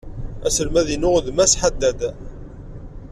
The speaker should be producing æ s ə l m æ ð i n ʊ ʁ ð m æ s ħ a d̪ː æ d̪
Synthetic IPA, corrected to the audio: æ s ə l m æ ð i n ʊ ʁ ð m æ s ħ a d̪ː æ d̪